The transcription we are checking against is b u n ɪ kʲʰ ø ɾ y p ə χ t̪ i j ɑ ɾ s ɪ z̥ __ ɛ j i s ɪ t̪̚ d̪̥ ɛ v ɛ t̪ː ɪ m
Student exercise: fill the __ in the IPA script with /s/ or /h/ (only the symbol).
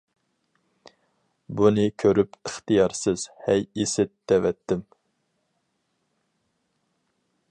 h